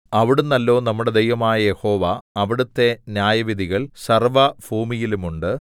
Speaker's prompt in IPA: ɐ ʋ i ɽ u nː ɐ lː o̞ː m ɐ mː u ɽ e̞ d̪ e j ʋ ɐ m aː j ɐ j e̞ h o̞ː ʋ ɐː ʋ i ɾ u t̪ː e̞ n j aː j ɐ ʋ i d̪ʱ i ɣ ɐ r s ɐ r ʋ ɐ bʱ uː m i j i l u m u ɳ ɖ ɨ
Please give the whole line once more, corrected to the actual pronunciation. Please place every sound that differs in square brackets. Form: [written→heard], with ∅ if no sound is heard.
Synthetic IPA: ɐ ʋ i ɽ u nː ɐ lː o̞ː [m→n] ɐ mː u ɽ e̞ d̪ e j ʋ ɐ m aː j ɐ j e̞ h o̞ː ʋ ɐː ʋ i [ɾ→ɽ] u t̪ː e̞ n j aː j ɐ ʋ i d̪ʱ i ɣ ɐ [r→ɭ] s ɐ r ʋ ɐ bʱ uː m i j i l u m u ɳ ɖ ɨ

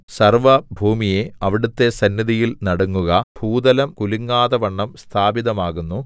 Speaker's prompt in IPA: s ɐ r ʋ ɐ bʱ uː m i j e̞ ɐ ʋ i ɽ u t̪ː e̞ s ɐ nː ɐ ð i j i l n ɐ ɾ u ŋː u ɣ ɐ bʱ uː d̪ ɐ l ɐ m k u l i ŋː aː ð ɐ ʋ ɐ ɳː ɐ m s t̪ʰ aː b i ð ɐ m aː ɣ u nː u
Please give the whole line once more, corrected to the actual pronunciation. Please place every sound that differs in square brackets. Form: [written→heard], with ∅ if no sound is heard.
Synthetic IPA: s ɐ r ʋ ɐ bʱ uː m i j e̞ ɐ ʋ i ɽ u t̪ː e̞ s ɐ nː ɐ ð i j i l n ɐ [ɾ→ɽ] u ŋː u ɣ ɐ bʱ uː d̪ ɐ l ɐ m k u l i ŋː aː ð ɐ ʋ ɐ ɳː ɐ m s t̪ʰ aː b i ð ɐ m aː ɣ u nː u

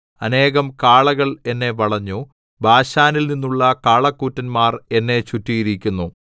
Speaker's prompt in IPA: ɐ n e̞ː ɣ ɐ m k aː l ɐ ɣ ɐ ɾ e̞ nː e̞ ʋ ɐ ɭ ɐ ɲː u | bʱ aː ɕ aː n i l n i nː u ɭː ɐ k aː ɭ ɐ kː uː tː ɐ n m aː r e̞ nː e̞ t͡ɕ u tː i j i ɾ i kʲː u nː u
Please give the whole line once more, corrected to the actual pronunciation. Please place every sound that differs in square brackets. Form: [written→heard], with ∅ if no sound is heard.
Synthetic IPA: ɐ n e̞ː ɣ ɐ m k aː [l→ɭ] ɐ ɣ ɐ [ɾ→ɭ] e̞ nː e̞ ʋ ɐ ɭ ɐ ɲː u | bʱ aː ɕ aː n i l n i nː u ɭː ɐ k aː ɭ ɐ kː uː tː ɐ n m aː r e̞ nː e̞ t͡ɕ u tː i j i ɾ i kʲː u nː u

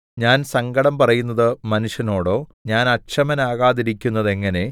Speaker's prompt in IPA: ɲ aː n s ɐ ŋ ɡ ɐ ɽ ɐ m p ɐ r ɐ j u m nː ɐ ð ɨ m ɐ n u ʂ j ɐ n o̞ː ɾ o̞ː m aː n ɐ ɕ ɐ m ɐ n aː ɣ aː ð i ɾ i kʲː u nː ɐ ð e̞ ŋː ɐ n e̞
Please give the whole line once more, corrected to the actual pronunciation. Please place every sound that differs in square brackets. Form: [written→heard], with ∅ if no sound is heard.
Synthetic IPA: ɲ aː n s ɐ ŋ ɡ ɐ ɽ ɐ m p ɐ r ɐ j u [m→∅] nː ɐ ð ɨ m ɐ n u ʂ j ɐ n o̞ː [ɾ→ɽ] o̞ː [m→ɲ] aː n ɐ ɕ ɐ m ɐ n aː ɣ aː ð i ɾ i kʲː u nː ɐ ð e̞ ŋː ɐ n e̞

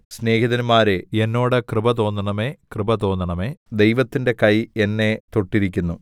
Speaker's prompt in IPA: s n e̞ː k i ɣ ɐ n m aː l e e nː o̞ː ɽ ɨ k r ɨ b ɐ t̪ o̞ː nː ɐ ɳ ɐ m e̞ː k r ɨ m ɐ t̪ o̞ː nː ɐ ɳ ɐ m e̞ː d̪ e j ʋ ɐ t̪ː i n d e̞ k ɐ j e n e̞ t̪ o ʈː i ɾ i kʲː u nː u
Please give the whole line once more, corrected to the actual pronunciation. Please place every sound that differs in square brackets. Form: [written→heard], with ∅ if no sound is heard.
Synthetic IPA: s n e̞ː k i [ɣ→ð] ɐ n m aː [l→ɾ] e e nː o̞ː ɽ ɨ k r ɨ b ɐ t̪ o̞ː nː ɐ ɳ ɐ m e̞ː k r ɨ [m→b] ɐ t̪ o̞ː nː ɐ ɳ ɐ m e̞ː d̪ e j ʋ ɐ t̪ː i n d e̞ k ɐ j e [n→nː] e̞ t̪ o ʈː i ɾ i kʲː u nː u

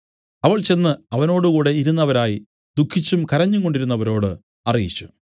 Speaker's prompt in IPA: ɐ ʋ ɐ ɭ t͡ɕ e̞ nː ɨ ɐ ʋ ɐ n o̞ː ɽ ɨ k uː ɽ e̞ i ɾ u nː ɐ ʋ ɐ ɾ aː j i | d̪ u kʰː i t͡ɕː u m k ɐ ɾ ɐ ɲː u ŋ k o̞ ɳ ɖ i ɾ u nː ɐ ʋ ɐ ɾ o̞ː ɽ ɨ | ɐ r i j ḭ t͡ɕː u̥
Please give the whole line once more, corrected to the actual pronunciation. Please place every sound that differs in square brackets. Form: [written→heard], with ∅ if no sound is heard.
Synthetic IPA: ɐ ʋ ɐ ɭ t͡ɕ e̞ nː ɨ ɐ ʋ ɐ n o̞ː ɽ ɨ k uː ɽ e̞ i ɾ u nː ɐ ʋ ɐ ɾ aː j i | d̪ u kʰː i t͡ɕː u m k ɐ ɾ ɐ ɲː u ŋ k o̞ ɳ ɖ i ɾ u nː ɐ ʋ ɐ ɾ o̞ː ɽ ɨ | ɐ r i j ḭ t͡ɕː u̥

